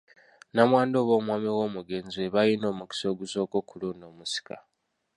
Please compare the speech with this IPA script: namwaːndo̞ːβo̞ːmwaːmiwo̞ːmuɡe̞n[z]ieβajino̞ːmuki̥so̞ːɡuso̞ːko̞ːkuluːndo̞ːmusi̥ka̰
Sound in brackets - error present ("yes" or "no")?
no